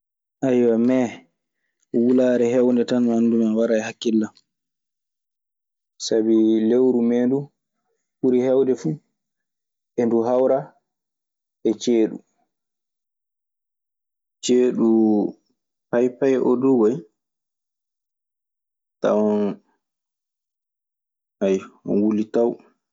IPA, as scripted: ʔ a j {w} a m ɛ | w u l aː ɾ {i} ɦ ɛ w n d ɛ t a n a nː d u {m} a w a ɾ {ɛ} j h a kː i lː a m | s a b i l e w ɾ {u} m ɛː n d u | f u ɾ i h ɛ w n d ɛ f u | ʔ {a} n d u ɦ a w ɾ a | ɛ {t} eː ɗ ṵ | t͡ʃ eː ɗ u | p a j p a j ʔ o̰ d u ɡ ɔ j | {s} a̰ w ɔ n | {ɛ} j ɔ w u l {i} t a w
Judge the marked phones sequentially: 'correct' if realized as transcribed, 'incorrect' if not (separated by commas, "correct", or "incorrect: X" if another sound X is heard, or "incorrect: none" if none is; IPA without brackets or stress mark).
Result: correct, incorrect: ɛ, correct, incorrect: a, correct, incorrect: ɛ, incorrect: t͡ʃ, incorrect: t, incorrect: a, correct